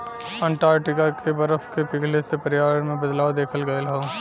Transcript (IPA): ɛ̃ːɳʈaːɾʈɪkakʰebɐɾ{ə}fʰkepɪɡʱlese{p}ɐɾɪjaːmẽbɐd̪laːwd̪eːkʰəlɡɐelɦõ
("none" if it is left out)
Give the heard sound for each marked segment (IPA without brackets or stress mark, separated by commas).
ə, p